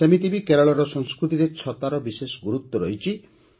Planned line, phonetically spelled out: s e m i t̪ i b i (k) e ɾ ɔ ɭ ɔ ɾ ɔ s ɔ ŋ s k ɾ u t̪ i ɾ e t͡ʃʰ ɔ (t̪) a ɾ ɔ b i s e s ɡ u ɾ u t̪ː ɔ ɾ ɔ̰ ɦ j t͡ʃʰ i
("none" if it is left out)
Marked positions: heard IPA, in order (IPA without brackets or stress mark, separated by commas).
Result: k, t̪